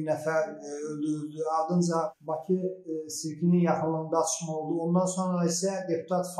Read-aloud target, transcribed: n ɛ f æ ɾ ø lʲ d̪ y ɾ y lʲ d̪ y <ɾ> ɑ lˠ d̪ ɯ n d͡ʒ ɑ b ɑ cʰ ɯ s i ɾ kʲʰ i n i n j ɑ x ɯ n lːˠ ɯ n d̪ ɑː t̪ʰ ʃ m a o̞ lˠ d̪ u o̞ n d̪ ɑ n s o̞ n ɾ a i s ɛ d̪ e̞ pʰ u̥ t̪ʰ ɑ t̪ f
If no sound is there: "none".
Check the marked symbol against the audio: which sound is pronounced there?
none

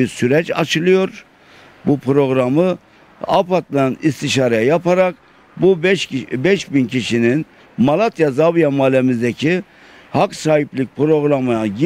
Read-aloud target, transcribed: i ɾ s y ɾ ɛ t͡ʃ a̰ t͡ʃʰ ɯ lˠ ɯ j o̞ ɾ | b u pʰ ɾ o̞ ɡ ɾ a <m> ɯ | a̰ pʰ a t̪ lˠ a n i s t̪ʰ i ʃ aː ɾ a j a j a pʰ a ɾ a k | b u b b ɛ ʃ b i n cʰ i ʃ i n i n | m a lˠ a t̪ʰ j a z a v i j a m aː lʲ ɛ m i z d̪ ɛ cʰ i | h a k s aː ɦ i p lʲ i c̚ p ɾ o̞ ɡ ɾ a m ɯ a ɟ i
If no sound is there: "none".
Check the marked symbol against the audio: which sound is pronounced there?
m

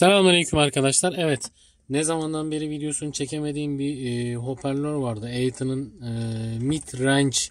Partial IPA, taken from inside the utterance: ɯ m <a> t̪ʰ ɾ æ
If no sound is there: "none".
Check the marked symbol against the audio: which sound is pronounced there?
i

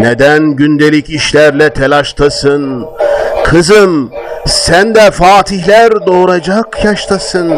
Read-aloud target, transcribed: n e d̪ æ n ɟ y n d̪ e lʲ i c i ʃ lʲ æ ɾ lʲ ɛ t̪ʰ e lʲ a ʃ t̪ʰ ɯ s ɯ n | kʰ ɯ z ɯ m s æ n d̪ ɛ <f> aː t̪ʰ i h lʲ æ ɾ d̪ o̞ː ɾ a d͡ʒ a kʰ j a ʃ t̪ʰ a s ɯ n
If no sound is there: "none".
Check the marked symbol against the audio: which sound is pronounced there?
f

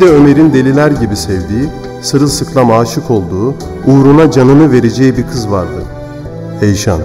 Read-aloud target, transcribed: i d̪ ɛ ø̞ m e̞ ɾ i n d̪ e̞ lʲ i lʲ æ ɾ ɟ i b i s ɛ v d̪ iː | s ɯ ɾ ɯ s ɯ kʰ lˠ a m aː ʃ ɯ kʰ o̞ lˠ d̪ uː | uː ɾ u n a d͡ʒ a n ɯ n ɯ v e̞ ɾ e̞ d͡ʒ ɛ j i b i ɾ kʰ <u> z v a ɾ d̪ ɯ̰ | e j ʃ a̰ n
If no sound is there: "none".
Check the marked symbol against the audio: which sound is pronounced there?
ɯ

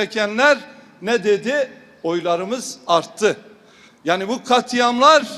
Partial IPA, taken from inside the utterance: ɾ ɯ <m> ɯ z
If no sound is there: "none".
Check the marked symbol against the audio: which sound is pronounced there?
m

